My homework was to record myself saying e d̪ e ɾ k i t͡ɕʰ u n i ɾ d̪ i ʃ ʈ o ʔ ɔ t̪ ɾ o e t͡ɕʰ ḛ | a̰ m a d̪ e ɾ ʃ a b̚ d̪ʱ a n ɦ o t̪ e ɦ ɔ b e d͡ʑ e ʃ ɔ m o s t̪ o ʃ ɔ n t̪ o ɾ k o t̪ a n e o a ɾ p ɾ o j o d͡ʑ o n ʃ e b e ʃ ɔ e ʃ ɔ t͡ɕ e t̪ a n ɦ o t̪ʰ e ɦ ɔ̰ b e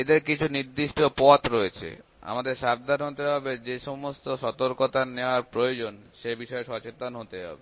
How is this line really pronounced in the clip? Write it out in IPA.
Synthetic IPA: e d̪ e ɾ k i t͡ɕʰ u n i ɾ d̪ i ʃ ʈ o p ɔ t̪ ɾ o e t͡ɕʰ ḛ | a̰ m a d̪ e ɾ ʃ a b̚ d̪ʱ a n ɦ o t̪ e ɦ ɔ b e d͡ʑ e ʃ ɔ m o s t̪ o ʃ ɔ t̪ o ɾ k o t̪ a n e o a ɾ p ɾ o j o d͡ʑ o n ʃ e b i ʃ ɔ e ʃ ɔ t͡ɕ e t̪ a n ɦ o t̪ e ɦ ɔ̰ b e

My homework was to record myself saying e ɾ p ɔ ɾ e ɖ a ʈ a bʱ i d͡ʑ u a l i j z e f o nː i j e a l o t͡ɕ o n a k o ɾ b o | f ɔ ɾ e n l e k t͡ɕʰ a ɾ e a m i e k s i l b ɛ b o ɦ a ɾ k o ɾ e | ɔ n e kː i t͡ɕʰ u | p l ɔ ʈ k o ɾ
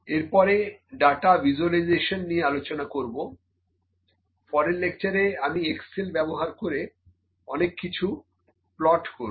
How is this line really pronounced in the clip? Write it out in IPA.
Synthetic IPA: e ɾ p ɔ ɾ e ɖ a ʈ a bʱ i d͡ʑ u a l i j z e ʃ o nː i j e a l o t͡ɕ o n a k o ɾ b o | f ɔ ɾ e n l e k t͡ɕ a ɾ e a m i e k s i l b ɛ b o ɦ a ɾ k o ɾ e | ɔ n e kː i t͡ɕʰ u | p l ɔ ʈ k o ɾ

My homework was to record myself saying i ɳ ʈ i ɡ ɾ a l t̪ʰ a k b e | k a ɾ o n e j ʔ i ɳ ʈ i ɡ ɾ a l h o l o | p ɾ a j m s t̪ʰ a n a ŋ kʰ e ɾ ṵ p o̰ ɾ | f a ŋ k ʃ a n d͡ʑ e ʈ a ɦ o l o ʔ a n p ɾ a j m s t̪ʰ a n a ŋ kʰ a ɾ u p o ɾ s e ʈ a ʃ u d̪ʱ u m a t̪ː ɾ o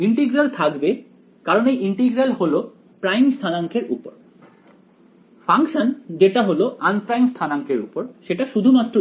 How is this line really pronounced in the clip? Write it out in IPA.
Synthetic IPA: i ɳ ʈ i ɡ ɾ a l t̪ʰ a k b e | k a ɾ o n e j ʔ i ɳ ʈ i ɡ ɾ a l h o l o | p ɾ a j m s t̪ʰ a n a ŋ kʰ e ɾ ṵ p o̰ ɾ | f a ŋ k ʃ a n d͡ʑ e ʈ a ɦ o l o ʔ a n p ɾ a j m s t̪ʰ a n a ŋ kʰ e ɾ u p o ɾ ʃ e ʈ a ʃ u d̪ʱ u m a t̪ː ɾ o

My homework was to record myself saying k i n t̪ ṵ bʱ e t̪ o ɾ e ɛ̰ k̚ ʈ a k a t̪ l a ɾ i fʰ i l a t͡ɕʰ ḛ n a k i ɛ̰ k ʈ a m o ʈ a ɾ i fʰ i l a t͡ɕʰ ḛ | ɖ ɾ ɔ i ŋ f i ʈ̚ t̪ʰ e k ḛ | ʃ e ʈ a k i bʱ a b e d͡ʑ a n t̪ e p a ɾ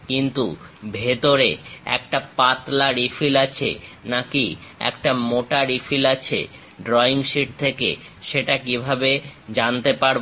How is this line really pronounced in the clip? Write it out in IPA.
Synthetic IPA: k i n t̪ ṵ bʱ e t̪ o ɾ e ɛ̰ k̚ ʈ a p a t̪ l a ɾ i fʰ i l a t͡ɕʰ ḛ n a k i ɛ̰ k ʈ a m o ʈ a ɾ i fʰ i l a t͡ɕʰ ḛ | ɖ ɾ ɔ i ŋ ʃ i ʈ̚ t̪ʰ e k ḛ | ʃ e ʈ a k i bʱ a b e d͡ʑ a n t̪ e p a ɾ

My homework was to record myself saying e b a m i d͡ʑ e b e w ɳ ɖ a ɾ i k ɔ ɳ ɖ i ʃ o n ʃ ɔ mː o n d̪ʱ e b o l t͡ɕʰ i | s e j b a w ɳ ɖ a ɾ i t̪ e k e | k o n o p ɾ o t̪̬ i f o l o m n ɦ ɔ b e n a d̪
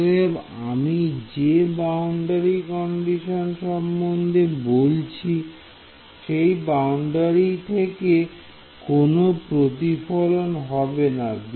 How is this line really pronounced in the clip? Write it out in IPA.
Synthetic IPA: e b a m i d͡ʑ e b a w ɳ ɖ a ɾ i k ɔ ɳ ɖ i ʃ o n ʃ ɔ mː o n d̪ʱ e b o l t͡ɕʰ i | ʃ e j b a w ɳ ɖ a ɾ i t̪ʰ e k e | k o n o p ɾ o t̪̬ i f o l o n ɦ ɔ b e n a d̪

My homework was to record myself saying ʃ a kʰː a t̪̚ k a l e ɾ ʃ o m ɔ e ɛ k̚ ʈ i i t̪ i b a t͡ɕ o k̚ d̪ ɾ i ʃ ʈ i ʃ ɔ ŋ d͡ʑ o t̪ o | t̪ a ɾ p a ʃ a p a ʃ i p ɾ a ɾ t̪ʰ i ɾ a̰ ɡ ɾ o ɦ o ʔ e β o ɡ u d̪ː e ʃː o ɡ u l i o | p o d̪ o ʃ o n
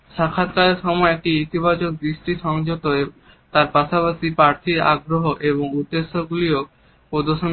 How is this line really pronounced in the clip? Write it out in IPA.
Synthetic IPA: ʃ a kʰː a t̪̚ k a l e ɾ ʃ ɔ m ɔ e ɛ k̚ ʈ i i t̪ i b a t͡ɕ o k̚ d̪ ɾ i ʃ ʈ i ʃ ɔ ŋ d͡ʑ o t̪ o | t̪ a ɾ p a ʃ a p a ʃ i p ɾ a ɾ t̪ʰ i ɾ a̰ ɡ ɾ o ɦ o ʔ e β o ŋ u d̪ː e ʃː o ɡ u l i o | p o d̪ o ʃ o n

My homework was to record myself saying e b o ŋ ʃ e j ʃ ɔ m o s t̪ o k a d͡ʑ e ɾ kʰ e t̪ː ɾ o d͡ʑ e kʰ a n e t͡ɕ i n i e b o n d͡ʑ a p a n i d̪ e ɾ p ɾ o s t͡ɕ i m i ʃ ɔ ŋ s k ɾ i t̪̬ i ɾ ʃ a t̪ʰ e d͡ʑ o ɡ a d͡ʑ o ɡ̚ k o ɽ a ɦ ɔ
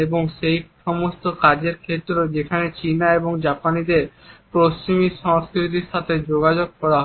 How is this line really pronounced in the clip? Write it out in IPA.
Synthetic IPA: e b o ŋ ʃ e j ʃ ɔ m o s t̪ o k a d͡ʑ e ɾ kʰ e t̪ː ɾ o d͡ʑ e kʰ a n e t͡ɕ i n a e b o ŋ d͡ʑ a p a n i d̪ e ɾ p ɾ o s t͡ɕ i m i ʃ ɔ ŋ s k ɾ i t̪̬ i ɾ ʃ a t̪ʰ e d͡ʑ o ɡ a d͡ʑ o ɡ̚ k ɔ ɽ a ɦ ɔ

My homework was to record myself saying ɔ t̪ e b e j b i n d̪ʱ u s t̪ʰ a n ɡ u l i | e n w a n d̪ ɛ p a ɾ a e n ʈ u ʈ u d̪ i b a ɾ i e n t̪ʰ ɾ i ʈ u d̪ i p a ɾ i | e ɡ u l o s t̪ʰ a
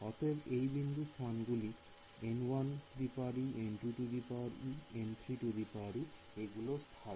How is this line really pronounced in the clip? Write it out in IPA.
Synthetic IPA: ɔ t̪ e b e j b i n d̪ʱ u s t̪ʰ a n ɡ u l i | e n w a n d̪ i p a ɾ i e n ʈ u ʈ u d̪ i p a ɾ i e n t̪ʰ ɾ i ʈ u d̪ i p a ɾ i | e ɡ u l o s t̪ʰ a

